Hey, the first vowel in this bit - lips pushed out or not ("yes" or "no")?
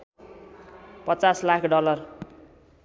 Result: no